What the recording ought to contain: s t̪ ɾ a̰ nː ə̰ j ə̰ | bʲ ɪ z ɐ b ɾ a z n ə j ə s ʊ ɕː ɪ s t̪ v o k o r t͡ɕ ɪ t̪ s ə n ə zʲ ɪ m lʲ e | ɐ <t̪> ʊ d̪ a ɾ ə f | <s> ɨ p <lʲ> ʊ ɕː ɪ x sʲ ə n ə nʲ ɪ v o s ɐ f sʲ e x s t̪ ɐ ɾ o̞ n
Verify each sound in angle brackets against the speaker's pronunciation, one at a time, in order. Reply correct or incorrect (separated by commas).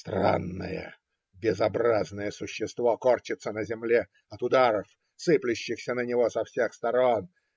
correct, correct, correct